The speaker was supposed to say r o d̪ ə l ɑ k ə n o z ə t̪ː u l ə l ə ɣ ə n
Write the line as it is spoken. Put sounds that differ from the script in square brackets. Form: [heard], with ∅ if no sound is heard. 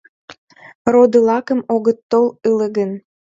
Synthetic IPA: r o d̪ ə l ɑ k ə [m] o [ɣ] ə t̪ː [o] l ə l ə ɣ ə n